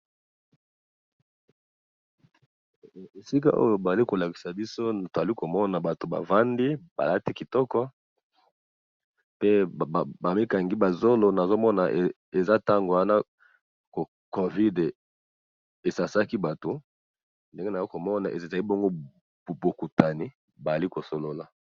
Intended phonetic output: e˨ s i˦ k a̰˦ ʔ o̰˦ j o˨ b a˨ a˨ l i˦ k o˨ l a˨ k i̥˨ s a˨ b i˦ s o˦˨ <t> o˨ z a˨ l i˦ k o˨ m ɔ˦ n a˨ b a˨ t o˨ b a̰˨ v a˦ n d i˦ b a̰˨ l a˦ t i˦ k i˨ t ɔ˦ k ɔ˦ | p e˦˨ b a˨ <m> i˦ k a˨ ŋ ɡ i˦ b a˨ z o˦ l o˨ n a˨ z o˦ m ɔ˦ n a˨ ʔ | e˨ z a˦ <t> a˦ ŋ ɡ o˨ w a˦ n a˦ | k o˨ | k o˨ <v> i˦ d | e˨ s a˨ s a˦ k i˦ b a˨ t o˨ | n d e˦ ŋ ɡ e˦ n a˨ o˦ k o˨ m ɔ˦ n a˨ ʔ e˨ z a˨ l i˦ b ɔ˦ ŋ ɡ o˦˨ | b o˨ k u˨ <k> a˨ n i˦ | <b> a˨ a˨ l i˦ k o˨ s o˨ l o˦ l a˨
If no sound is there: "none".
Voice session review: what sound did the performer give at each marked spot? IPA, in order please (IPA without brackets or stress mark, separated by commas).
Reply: t, m, t, v, t, b